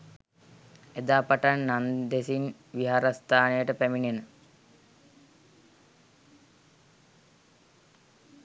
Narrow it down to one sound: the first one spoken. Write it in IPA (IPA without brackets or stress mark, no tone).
e